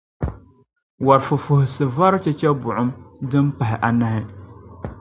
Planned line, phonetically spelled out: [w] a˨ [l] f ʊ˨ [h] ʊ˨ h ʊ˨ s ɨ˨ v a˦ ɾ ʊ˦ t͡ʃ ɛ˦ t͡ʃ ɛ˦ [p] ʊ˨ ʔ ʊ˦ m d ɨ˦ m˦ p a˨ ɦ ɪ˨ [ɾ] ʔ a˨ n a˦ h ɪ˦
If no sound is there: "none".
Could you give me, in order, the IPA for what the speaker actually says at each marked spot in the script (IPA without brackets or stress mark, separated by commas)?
w, ɾ, f, b, none